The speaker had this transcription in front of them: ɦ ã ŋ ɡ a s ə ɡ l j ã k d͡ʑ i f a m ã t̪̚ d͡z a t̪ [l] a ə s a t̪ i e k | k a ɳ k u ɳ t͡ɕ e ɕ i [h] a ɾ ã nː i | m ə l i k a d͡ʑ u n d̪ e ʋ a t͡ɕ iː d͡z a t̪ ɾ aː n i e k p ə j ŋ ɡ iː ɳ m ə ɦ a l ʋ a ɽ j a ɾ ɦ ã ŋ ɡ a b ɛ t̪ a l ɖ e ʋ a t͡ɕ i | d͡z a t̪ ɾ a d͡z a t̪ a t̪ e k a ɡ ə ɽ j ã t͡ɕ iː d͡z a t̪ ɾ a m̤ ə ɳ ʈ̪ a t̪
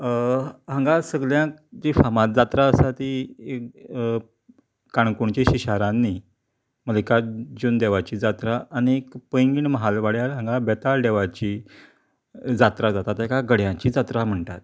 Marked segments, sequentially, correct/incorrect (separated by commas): incorrect, incorrect